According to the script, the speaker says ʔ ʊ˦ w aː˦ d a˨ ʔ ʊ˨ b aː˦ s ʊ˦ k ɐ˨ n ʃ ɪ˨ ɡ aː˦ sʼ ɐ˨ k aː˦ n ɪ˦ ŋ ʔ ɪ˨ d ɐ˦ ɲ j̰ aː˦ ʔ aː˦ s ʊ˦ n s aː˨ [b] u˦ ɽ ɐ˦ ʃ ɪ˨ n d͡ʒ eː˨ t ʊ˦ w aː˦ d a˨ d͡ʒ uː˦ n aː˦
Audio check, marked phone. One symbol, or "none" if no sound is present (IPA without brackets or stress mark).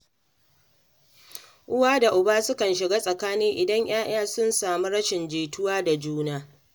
m